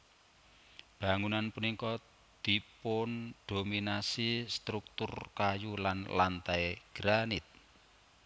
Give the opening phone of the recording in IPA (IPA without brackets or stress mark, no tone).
b̥